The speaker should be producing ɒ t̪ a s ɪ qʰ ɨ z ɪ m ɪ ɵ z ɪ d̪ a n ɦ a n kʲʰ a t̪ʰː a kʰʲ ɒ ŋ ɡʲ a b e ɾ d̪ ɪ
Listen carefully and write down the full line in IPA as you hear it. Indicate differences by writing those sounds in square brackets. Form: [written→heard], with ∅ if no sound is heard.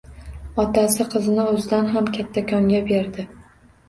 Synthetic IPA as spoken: ɒ t̪ a s ɪ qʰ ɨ z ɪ [m→n] ɪ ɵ z ɪ d̪ a n ɦ a [n→m] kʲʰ a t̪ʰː a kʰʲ ɒ ŋ ɡʲ a b e ɾ d̪ ɪ